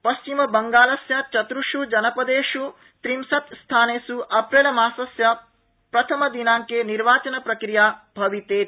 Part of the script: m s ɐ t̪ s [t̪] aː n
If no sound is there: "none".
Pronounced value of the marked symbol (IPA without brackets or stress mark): t̪ʰ